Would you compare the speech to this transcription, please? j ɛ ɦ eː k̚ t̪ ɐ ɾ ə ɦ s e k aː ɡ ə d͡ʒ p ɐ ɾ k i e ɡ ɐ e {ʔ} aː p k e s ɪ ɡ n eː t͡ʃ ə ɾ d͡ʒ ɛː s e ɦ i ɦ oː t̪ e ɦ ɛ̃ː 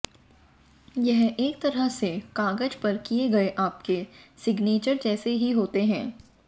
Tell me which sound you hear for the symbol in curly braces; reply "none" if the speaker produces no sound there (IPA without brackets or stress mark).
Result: ʔ